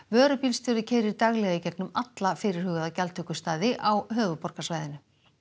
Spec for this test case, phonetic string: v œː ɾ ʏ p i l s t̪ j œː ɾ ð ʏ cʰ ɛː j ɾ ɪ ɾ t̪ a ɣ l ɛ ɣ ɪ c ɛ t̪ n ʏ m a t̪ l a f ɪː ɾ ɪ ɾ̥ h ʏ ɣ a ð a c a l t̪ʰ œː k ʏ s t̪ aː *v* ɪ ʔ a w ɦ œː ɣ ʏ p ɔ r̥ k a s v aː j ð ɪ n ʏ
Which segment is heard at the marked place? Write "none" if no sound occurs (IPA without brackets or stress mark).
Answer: ð